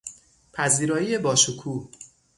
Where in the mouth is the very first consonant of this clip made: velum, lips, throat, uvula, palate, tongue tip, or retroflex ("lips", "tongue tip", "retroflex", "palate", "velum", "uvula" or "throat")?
lips